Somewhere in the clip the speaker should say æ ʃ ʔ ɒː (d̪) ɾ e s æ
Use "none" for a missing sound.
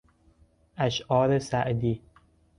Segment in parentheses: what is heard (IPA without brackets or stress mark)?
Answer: none